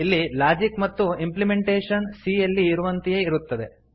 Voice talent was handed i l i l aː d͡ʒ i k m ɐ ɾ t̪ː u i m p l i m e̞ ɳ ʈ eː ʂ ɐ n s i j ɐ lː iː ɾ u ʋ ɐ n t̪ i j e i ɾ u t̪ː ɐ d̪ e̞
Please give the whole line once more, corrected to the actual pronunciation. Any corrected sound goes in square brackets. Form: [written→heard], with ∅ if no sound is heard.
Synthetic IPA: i [l→lː] i l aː d͡ʒ i k m ɐ [ɾ→∅] t̪ː u i m p l i m e̞ ɳ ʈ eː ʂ ɐ n s i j ɐ lː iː ɾ u ʋ ɐ n t̪ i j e i ɾ u t̪ː ɐ d̪ e̞